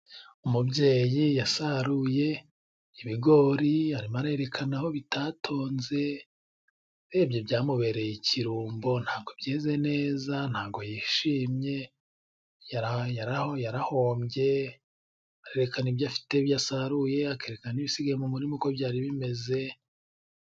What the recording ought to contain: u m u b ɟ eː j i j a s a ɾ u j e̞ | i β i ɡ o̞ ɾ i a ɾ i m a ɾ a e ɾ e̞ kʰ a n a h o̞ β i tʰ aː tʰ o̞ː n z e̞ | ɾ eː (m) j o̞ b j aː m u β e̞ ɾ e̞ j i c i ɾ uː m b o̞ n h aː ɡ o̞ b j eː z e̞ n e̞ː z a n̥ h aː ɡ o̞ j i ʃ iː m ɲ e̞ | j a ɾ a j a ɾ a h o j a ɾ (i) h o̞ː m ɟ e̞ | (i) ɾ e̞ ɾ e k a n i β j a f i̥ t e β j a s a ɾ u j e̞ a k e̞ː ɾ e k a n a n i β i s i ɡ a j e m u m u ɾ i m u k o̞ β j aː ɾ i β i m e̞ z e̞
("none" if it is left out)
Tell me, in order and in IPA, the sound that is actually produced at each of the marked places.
b, a, a

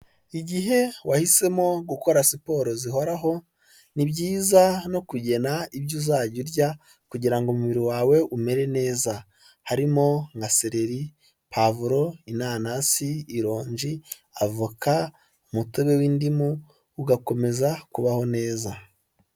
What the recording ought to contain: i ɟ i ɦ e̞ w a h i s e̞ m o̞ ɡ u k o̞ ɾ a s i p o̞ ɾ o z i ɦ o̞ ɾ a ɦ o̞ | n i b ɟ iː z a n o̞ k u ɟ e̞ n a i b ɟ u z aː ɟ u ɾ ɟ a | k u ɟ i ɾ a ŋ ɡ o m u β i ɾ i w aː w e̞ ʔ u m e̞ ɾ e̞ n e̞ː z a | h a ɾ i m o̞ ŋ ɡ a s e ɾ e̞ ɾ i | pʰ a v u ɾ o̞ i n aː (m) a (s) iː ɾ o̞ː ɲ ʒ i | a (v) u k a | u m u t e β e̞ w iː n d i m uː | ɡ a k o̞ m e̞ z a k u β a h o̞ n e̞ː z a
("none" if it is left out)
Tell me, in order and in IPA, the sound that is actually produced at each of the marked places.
n, s, v

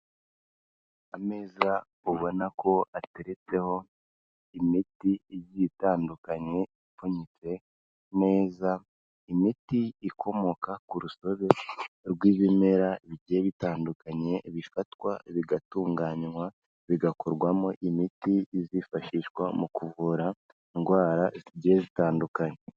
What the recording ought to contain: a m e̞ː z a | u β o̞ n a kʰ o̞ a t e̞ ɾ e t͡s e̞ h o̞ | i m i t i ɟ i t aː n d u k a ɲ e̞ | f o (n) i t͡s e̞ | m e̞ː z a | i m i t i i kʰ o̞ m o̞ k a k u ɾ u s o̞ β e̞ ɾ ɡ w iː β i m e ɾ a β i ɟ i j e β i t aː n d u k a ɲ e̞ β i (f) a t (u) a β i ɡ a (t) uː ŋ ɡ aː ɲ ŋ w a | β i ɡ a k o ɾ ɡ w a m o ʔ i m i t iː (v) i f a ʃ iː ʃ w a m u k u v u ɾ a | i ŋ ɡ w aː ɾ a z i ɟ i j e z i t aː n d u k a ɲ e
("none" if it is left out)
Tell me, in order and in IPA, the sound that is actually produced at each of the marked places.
ɲ, f, w, t, z

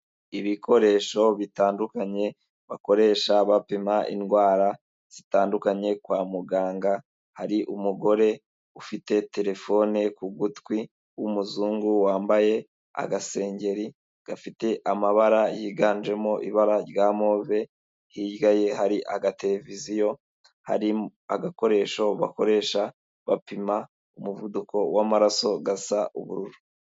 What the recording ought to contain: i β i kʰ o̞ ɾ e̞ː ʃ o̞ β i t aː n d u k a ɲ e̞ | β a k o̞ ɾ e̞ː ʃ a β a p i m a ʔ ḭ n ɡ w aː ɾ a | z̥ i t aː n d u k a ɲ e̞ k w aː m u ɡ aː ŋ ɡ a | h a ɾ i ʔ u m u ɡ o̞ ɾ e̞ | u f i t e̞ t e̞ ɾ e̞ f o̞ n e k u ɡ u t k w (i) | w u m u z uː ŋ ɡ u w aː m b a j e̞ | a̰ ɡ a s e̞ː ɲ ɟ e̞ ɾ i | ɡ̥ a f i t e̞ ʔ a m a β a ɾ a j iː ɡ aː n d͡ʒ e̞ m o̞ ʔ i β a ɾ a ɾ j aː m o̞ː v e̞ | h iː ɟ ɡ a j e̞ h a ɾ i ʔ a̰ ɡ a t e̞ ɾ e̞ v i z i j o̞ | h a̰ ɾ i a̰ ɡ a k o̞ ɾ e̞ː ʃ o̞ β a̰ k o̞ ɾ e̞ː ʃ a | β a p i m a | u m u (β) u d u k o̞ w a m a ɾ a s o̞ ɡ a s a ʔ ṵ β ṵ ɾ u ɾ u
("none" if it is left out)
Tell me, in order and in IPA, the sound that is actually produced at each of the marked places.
i, v

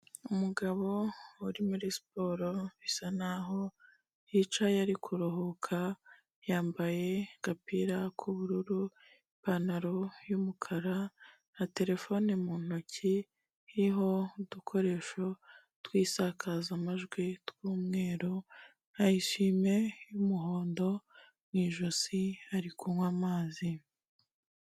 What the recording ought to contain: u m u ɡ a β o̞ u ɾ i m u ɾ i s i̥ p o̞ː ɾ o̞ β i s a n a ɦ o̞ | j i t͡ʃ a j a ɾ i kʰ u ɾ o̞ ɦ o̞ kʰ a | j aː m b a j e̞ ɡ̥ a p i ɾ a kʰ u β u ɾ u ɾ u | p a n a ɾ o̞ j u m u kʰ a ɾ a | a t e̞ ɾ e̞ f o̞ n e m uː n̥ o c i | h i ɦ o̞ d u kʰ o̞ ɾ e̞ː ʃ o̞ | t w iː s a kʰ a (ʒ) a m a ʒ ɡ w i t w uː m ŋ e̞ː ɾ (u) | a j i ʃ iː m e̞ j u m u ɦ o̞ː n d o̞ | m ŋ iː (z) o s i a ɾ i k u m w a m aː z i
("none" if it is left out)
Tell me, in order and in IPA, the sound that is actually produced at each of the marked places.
z, o, ʒ

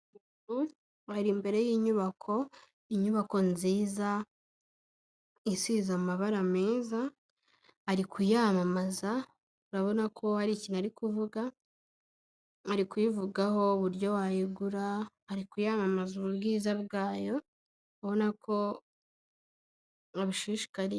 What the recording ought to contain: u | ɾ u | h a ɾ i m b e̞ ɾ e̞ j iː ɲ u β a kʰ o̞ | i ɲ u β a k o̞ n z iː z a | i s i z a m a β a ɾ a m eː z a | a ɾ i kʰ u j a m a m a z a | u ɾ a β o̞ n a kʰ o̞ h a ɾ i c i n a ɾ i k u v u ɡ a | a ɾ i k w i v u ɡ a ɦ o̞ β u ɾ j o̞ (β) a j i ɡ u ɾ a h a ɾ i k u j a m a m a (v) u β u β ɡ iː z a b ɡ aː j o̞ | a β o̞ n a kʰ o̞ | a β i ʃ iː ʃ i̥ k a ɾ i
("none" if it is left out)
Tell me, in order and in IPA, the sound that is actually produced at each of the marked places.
w, z

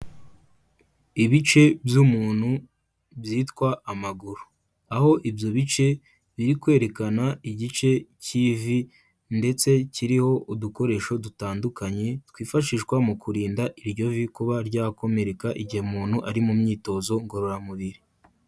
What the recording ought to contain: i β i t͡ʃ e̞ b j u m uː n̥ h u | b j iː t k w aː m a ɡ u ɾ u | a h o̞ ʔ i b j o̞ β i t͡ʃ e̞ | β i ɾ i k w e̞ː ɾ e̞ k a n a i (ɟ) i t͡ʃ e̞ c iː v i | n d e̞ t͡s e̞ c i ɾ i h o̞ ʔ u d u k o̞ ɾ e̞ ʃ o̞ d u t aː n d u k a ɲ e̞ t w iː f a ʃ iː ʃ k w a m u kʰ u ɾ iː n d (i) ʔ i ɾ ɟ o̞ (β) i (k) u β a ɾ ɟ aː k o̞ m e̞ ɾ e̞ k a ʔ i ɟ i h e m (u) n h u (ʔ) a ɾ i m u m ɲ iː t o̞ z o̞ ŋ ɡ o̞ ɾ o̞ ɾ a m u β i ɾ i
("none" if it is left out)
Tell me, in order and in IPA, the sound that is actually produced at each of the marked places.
ɟ, a, v, k, uː, ʔ

